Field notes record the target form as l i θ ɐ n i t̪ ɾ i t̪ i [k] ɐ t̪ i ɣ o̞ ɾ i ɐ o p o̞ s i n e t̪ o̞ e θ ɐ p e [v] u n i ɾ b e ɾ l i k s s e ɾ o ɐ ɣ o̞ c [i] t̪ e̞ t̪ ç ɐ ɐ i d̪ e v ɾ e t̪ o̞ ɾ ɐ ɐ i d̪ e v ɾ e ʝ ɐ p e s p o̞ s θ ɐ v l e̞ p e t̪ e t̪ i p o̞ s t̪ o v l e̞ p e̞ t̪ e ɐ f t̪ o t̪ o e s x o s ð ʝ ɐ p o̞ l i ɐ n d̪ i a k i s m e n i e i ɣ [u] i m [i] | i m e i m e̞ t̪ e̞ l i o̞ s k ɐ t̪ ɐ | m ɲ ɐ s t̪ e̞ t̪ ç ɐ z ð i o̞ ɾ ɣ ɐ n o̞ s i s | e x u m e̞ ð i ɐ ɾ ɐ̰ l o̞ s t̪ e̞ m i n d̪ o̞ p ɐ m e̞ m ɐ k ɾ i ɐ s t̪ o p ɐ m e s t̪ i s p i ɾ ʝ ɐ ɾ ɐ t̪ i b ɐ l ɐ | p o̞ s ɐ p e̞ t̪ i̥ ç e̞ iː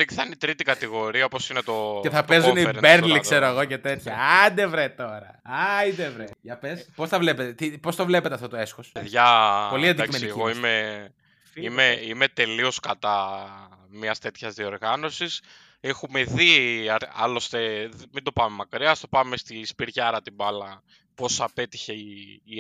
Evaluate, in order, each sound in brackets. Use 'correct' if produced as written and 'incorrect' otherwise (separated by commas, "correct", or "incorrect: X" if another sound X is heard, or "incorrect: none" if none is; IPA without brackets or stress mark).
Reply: correct, incorrect: z, incorrect: e, incorrect: o, incorrect: e